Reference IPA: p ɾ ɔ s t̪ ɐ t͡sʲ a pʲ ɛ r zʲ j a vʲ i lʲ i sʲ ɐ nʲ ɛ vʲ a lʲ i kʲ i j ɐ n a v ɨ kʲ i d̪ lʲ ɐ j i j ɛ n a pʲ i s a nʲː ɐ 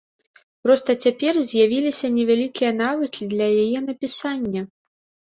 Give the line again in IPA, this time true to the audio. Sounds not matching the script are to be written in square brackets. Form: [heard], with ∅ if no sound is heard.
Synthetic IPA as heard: p ɾ ɔ s t̪ ɐ t͡sʲ a pʲ ɛ r zʲ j a vʲ i lʲ i sʲ ɐ nʲ ɛ vʲ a lʲ i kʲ i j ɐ n a v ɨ kʲ i d̪ lʲ ɐ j [a] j ɛ n [ɐ] pʲ i s a nʲː ɐ

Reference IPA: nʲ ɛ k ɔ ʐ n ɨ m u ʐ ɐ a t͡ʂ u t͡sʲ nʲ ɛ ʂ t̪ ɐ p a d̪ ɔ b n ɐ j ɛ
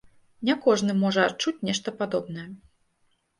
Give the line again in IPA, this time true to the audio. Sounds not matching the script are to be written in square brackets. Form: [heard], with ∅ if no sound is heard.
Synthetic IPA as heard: nʲ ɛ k ɔ ʐ n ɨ m [ɔ] ʐ ɐ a t͡ʂ u t͡sʲ nʲ ɛ ʂ t̪ ɐ p a d̪ ɔ b n ɐ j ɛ

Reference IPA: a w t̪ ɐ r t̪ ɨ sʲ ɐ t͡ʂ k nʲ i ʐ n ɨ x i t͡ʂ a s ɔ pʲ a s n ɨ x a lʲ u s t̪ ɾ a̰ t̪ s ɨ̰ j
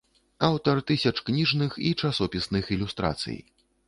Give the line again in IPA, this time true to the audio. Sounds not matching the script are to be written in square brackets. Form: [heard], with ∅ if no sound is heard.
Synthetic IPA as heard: a w t̪ ɐ r t̪ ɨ sʲ ɐ t͡ʂ k nʲ i ʐ n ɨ x i t͡ʂ a s ɔ pʲ [i] s n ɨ x [i] lʲ u s t̪ ɾ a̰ t̪ s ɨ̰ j

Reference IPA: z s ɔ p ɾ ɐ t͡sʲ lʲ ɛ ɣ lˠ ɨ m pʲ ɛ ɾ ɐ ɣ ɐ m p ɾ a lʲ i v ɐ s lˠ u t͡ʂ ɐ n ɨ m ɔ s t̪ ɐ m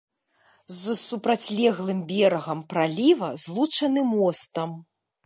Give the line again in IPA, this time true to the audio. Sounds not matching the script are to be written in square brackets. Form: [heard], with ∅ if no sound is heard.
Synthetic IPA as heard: z s [u] p ɾ [a] t͡sʲ lʲ ɛ ɣ lˠ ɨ m [bʲ] ɛ ɾ ɐ ɣ ɐ m p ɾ a lʲ i v ɐ [z] lˠ u t͡ʂ ɐ n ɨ m ɔ s t̪ ɐ m

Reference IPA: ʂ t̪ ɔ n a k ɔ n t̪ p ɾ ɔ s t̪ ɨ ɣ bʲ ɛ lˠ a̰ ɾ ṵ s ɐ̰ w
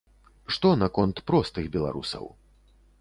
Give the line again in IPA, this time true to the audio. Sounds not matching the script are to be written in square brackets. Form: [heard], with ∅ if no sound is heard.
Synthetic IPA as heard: ʂ t̪ ɔ n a k ɔ n t̪ p ɾ ɔ s t̪ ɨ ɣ bʲ ɛ lˠ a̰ ɾ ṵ s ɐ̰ w

